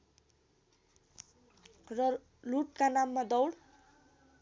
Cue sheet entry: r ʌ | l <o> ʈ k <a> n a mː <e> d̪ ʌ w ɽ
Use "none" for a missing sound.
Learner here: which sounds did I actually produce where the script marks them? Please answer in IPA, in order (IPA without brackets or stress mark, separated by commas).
u, a, a